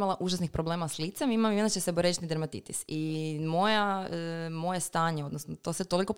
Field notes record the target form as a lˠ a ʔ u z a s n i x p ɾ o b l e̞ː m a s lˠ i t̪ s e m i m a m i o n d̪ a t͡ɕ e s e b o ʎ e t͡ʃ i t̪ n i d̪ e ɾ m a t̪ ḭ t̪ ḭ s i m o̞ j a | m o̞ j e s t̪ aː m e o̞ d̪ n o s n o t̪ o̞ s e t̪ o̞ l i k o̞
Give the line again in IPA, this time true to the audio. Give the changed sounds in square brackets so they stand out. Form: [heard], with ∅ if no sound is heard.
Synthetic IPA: a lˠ a ʔ u [ʒ] a s n i x p ɾ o b l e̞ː m a s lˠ i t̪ s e m i m a m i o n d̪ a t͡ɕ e s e b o [ɾ] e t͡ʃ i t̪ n i d̪ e ɾ m a t̪ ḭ t̪ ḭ s i m o̞ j a | m o̞ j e s t̪ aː [ɲ] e o̞ d̪ n o s n o t̪ o̞ s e t̪ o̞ l i k o̞